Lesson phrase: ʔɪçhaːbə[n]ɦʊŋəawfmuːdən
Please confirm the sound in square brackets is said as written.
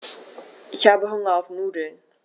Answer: no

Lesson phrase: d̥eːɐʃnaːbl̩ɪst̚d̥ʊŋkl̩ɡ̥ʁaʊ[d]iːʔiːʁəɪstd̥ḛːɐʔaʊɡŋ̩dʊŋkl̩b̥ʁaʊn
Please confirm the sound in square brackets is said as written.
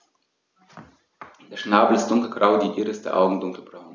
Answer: yes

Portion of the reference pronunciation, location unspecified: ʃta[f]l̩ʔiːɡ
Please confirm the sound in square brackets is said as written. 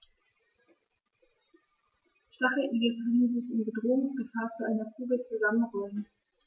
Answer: no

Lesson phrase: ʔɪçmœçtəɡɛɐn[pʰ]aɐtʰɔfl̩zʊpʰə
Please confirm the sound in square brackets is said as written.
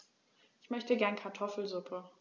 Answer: no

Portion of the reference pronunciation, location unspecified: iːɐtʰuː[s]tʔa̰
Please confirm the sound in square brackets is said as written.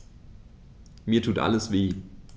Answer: no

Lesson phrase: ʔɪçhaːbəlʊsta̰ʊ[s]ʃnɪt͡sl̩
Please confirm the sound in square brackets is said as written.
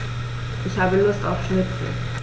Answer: no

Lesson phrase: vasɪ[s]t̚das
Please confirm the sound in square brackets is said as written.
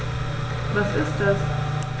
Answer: yes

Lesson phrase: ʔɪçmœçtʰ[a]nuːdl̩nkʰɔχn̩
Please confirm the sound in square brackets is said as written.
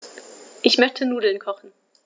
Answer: no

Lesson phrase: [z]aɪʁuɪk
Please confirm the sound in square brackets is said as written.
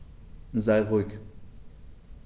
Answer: yes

